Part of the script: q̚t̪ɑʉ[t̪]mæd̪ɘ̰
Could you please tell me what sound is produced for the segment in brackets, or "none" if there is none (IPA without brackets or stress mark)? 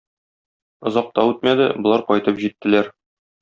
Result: t̪